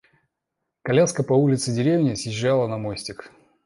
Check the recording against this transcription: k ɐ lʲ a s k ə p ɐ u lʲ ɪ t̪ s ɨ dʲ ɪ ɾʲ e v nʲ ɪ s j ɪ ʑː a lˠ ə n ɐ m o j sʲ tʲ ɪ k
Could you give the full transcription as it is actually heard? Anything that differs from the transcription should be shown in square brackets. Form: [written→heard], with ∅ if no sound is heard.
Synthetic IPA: k ɐ lʲ a s k ə p ɐ u lʲ ɪ t̪ s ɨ dʲ ɪ ɾʲ e v nʲ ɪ s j ɪ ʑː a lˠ ə n ɐ m o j sʲ tʲ ɪ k